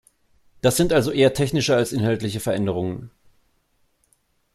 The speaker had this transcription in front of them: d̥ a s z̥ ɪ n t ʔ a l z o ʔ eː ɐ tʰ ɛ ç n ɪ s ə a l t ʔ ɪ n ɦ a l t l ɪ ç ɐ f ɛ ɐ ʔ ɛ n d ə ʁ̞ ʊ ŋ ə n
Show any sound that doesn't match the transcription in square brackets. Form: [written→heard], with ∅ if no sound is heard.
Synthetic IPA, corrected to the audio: d̥ a s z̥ ɪ n t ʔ a l z o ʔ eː ɐ tʰ ɛ ç n ɪ [s→ʃ] ə a l [t→s] ʔ ɪ n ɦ a l t l ɪ ç [ɐ→ə] f ɛ ɐ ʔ ɛ n d ə ʁ̞ ʊ ŋ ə n